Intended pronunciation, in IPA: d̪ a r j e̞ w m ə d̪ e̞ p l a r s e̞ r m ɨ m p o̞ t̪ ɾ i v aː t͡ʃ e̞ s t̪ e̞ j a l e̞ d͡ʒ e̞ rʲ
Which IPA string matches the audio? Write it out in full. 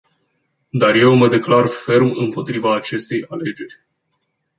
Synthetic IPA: d̪ a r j e̞ w m ə d̪ e̞ k l a r f e̞ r m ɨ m p o̞ t̪ ɾ i v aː t͡ʃ e̞ s t̪ e̞ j a l e̞ d͡ʒ e̞ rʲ

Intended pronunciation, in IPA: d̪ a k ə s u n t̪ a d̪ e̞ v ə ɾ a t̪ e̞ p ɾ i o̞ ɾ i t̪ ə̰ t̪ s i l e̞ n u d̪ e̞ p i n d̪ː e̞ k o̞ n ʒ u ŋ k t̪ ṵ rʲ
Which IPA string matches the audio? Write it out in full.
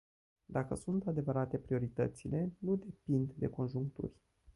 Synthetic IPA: d̪ a k ə s u n t̪ a d̪ e̞ v ə ɾ a t̪ e̞ p ɾ i o̞ ɾ i t̪ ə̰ t̪ s i l e̞ n u d̪ e̞ p i n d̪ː e̞ k o̞ n ʒ u ŋ k t̪ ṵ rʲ

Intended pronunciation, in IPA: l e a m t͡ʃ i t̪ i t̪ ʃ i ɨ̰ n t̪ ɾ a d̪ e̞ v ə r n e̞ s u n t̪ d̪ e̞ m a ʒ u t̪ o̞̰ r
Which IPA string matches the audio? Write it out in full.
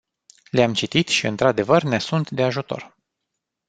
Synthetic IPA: l e a m t͡ʃ i t̪ i t̪ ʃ i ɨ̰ n t̪ ɾ a d̪ e̞ v ə r n e̞ s u n t̪ d̪ e̞ a ʒ u t̪ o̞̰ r

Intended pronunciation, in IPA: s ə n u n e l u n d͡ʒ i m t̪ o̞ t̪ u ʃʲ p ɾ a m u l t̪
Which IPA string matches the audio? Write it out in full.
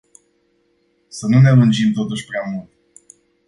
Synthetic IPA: s ə n u n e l u n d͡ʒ i m t̪ o̞ t̪ u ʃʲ p ɾ a m u l t̪

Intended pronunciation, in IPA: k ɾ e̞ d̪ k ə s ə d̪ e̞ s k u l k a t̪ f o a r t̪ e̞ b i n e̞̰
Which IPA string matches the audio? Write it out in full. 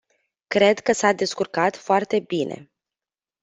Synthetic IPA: k ɾ e̞ d̪ k ə s a d̪ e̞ s k u r k a t̪ f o a r t̪ e̞ b i n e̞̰

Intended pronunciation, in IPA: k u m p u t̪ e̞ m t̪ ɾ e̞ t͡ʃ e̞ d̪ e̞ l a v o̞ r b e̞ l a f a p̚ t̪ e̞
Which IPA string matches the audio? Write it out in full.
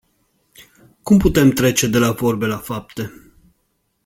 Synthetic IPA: k u m p u t̪ e̞ m t̪ ɾ e̞ t͡ʃ e̞ d̪ e̞ l a v o̞ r b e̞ l a f a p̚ t̪ e̞

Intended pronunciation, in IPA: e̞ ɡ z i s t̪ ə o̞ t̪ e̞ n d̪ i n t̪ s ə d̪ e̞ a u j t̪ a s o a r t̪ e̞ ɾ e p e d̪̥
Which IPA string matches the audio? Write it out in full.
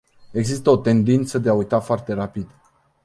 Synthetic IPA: e̞ ɡ z i s t̪ ə o̞ t̪ e̞ n d̪ i n t̪ s ə d̪ e̞ a u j t̪ a f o a r t̪ e̞ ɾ a p i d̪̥

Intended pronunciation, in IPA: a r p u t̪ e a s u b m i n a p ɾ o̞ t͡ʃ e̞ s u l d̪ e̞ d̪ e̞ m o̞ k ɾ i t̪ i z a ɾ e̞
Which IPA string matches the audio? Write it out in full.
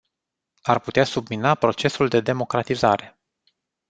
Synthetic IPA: a r p u t̪ e a s u b m i n a p ɾ o̞ t͡ʃ e̞ s u l d̪ e̞ d̪ e̞ m o̞ k ɾ a t̪ i z a ɾ e̞

